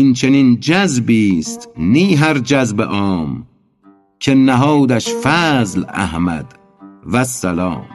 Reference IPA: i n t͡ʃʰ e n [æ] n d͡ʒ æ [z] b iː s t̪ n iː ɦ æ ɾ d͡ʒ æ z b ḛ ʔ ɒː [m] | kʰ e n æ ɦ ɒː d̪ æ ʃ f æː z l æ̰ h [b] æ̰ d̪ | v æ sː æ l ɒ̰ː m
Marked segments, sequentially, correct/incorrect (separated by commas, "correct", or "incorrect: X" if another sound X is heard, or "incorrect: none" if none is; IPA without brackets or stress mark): incorrect: i, correct, correct, incorrect: m